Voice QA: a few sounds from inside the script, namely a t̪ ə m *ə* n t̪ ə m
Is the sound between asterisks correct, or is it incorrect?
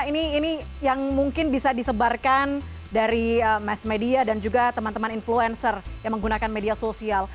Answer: incorrect: a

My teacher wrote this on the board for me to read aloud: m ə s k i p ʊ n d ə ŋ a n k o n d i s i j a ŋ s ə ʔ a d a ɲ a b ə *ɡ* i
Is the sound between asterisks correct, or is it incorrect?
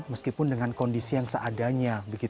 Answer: correct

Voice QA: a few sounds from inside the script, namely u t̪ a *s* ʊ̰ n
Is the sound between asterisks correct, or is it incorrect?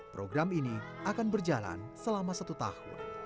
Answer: incorrect: h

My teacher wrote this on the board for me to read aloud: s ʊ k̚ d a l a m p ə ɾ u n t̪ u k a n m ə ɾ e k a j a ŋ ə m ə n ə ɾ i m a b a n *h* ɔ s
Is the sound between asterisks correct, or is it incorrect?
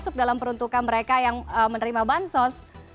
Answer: incorrect: s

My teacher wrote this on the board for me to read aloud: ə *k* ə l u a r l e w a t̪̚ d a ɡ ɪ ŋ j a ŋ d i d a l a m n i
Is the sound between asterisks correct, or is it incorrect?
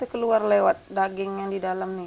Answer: correct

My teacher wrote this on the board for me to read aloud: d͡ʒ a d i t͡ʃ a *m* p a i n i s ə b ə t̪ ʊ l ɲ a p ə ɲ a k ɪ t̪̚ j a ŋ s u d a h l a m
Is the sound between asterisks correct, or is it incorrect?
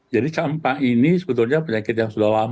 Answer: correct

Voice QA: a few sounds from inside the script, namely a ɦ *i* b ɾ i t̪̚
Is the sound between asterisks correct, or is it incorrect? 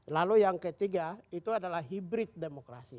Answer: correct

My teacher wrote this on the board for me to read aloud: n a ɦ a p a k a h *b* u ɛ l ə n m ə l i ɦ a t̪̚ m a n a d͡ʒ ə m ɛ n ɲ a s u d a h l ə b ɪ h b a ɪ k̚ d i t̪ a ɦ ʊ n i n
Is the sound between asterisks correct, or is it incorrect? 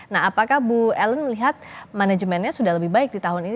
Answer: correct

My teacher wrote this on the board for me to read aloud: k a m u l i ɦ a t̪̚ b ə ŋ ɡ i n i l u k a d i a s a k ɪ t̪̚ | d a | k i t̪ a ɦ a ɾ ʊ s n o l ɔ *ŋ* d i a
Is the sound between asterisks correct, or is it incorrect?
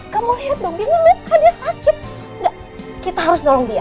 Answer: correct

